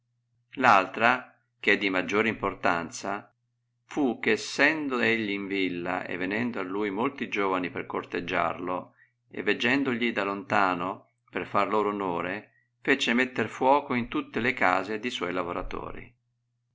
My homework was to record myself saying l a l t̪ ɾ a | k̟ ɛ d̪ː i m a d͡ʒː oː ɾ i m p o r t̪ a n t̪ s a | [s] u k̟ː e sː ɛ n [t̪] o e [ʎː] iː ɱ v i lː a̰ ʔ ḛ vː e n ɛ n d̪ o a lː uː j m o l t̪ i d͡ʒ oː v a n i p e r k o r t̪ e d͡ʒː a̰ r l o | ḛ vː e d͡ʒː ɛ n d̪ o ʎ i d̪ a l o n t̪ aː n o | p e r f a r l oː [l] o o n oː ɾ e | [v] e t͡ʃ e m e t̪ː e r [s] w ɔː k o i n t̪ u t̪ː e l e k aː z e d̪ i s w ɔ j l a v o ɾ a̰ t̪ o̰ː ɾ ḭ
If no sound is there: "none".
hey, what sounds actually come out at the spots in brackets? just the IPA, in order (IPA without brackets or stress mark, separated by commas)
f, d̪, ʎː, ɾ, f, f